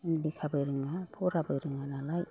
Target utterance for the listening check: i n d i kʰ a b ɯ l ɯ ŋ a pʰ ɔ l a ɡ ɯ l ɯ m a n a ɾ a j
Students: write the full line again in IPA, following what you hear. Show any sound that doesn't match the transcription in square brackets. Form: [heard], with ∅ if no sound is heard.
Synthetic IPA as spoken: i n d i kʰ a b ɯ [ɾ] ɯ ŋ a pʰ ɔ [ɾ] a [b] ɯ [ɾ] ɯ [ŋ] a n a [l] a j